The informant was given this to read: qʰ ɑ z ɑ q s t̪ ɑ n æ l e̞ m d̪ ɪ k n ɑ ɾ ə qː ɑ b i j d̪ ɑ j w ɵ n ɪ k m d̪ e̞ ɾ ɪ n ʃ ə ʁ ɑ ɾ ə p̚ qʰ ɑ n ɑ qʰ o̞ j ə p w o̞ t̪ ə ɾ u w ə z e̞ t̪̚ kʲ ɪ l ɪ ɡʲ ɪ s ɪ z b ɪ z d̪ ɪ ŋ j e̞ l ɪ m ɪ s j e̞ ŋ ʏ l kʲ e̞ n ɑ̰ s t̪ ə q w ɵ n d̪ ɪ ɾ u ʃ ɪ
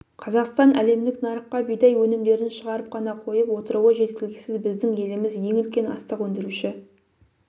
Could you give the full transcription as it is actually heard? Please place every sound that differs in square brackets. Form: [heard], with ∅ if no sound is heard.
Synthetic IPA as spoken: qʰ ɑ z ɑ q s t̪ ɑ n æ l e̞ m d̪ ɪ k n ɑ ɾ ə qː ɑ b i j d̪ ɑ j w ɵ n ɪ [∅] m d̪ e̞ ɾ ɪ n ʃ ə ʁ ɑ ɾ ə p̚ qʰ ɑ n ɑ qʰ o̞ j ə p w o̞ t̪ ə ɾ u w ə [ʒ] e̞ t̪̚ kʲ ɪ l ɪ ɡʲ ɪ s ɪ z b ɪ z d̪ ɪ ŋ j e̞ l ɪ m ɪ [z] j e̞ ŋ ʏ l kʲ e̞ n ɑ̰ s t̪ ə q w ɵ n d̪ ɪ ɾ u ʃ ɪ

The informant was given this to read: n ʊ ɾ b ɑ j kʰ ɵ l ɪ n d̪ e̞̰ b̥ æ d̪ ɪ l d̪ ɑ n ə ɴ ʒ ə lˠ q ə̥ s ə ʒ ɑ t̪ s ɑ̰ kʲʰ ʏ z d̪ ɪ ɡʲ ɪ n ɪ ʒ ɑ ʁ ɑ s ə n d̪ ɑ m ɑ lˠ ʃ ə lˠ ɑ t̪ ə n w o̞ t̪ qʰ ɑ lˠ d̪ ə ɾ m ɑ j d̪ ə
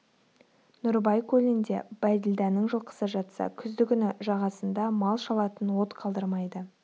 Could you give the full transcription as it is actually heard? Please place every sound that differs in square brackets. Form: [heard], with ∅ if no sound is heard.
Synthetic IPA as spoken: n ʊ ɾ b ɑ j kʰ ɵ l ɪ n d̪ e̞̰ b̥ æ d̪ ɪ l d̪ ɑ n ə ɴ ʒ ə lˠ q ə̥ s ə ʒ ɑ t̪ s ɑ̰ kʲʰ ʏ z d̪ ɪ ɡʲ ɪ n ɪ ʒ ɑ ʁ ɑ s ə n d̪ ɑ m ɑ lˠ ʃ [ɑ] lˠ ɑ t̪ ə n w o̞ t̪ qʰ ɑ lˠ d̪ ə ɾ m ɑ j d̪ ə

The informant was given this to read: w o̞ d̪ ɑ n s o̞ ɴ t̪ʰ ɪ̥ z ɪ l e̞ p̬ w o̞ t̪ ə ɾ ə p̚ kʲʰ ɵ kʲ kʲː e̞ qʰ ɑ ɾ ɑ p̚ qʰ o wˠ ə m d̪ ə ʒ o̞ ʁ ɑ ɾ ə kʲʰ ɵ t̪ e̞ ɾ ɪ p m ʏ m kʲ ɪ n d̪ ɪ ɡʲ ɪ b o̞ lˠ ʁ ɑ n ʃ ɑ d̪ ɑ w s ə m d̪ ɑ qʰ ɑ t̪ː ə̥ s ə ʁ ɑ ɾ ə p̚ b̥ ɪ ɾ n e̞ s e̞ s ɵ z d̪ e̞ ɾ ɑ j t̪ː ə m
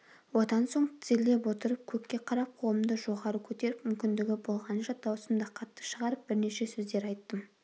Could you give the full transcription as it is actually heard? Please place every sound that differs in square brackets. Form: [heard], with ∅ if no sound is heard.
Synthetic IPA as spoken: w o̞ d̪ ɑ n s o̞ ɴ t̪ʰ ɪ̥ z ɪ l e̞ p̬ w o̞ t̪ ə ɾ ə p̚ kʲʰ ɵ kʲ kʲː e̞ qʰ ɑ ɾ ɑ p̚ qʰ o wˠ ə m d̪ ə ʒ o̞ ʁ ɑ ɾ ə kʲʰ ɵ t̪ e̞ ɾ ɪ p m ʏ m kʲ ɪ n d̪ ɪ ɡʲ ɪ b o̞ lˠ ʁ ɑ n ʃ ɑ d̪ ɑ w s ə m d̪ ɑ qʰ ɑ t̪ː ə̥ [ʃ] ə ʁ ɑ ɾ ə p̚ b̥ ɪ ɾ n e̞ [ʃ] e̞ s ɵ z d̪ e̞ ɾ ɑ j t̪ː ə m

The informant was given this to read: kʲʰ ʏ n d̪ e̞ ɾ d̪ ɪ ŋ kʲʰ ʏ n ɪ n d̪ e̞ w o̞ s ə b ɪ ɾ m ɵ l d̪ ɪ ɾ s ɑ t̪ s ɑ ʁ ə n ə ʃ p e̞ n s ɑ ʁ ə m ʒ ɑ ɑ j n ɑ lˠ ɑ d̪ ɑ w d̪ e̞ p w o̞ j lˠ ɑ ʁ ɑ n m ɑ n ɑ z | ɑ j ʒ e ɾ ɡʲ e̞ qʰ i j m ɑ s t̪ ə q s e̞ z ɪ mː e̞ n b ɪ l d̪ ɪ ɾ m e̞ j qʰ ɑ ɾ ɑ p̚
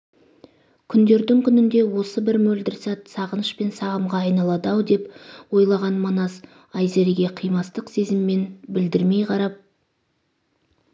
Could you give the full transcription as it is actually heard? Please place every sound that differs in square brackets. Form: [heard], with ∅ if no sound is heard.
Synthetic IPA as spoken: kʲʰ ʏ n d̪ e̞ ɾ d̪ ɪ ŋ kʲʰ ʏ n ɪ n d̪ e̞ w o̞ s ə b ɪ ɾ m ɵ l d̪ ɪ ɾ s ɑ t̪ s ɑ ʁ ə n ə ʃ p e̞ n s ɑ ʁ ə m [ʁ] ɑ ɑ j n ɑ lˠ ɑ d̪ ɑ w d̪ e̞ p w o̞ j lˠ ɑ ʁ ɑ n m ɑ n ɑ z | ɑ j [z] e ɾ ɡʲ e̞ qʰ i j m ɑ s t̪ ə q s e̞ z ɪ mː e̞ n b ɪ l d̪ ɪ ɾ m e̞ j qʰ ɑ ɾ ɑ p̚

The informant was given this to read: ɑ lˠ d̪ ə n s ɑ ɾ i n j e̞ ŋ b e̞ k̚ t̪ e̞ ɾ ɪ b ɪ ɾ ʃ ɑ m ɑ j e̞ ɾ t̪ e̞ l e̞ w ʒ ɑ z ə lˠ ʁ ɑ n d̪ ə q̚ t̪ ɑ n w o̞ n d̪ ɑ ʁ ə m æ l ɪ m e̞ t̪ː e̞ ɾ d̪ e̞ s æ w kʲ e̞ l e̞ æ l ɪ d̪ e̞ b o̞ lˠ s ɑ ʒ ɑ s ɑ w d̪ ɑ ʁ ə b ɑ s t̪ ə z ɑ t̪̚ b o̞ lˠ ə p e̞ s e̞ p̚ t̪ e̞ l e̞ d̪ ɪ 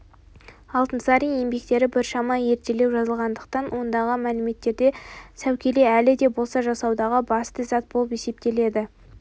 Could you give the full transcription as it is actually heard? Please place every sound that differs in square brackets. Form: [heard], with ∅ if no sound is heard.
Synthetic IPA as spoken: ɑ lˠ [t̪] ə n s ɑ ɾ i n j e̞ [m] b e̞ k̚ t̪ e̞ ɾ ɪ b ɪ ɾ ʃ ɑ m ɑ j e̞ ɾ t̪ e̞ l e̞ w ʒ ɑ z ə lˠ ʁ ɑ n d̪ ə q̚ t̪ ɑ n w o̞ n d̪ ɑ ʁ ə m æ l ɪ m e̞ t̪ː e̞ ɾ d̪ e̞ s æ w kʲ e̞ l e̞ æ l ɪ d̪ e̞ b o̞ lˠ s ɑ ʒ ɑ s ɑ w d̪ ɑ ʁ ə b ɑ s t̪ ə z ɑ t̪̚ b o̞ lˠ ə p e̞ s e̞ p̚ t̪ e̞ l e̞ d̪ ɪ

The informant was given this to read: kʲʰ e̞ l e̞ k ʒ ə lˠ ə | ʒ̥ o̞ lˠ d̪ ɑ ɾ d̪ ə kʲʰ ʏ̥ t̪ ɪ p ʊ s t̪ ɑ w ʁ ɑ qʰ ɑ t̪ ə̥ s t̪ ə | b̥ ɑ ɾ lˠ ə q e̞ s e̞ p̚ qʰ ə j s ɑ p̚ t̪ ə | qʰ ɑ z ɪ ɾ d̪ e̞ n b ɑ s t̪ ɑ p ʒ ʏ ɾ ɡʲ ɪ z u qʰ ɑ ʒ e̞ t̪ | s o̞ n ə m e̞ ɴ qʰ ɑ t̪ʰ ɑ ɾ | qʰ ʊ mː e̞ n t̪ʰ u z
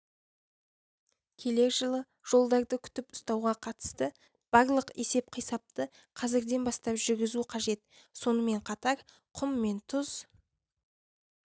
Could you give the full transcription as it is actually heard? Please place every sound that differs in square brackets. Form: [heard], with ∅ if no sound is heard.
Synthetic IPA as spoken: kʲʰ e̞ l e̞ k ʒ ə lˠ ə | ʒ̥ o̞ lˠ d̪ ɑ ɾ d̪ ə kʲʰ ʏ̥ t̪ ɪ p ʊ s t̪ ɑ w ʁ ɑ qʰ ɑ t̪ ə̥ s t̪ ə | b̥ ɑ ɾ lˠ ə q e̞ s e̞ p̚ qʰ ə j s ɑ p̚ t̪ ə | qʰ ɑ z ɪ ɾ d̪ e̞ n b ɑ s t̪ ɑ p ʒ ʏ ɾ ɡʲ ɪ z u qʰ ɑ ʒ e̞ t̪ | s o̞ n ə m e̞ ɴ qʰ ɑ [t̪] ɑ ɾ | qʰ ʊ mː e̞ n t̪ʰ [ʊ] z

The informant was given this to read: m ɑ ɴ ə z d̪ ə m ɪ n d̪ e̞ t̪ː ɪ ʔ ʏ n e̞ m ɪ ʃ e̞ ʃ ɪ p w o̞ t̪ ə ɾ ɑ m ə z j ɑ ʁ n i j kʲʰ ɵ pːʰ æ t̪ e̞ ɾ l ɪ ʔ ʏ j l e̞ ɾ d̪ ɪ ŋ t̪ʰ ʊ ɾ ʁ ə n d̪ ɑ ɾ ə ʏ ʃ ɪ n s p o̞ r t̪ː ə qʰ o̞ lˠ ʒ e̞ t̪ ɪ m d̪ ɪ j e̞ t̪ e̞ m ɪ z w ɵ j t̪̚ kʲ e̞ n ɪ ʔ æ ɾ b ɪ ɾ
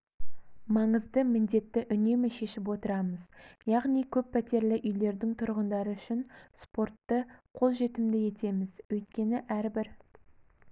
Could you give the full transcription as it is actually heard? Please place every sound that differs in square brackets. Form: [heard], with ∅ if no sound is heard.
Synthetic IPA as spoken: m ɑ ɴ ə z d̪ ə m ɪ n d̪ e̞ t̪ː ɪ ʔ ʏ n e̞ m ɪ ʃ e̞ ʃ ɪ p w o̞ t̪ ə ɾ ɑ m ə z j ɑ ʁ n i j kʲʰ ɵ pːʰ æ t̪ e̞ ɾ l ɪ ʔ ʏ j l e̞ ɾ d̪ ɪ ŋ t̪ʰ ʊ ɾ ʁ ə n d̪ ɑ ɾ ə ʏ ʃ ɪ n s p o̞ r t̪ː ə qʰ o̞ lˠ ʒ e̞ t̪ ɪ m d̪ ɪ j e̞ t̪ e̞ m ɪ z w ɵ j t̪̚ kʲ e̞ n ɪ ʔ æ ɾ b ɪ ɾ

